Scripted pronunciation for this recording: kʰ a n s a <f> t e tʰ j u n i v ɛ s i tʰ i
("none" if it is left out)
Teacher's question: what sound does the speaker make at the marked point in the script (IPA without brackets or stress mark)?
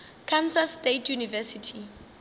s